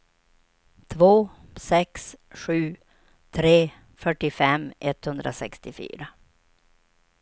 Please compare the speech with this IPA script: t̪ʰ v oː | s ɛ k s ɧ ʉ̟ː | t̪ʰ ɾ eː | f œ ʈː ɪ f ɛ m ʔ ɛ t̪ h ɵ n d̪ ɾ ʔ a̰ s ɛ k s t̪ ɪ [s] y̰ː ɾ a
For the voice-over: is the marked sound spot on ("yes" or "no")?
no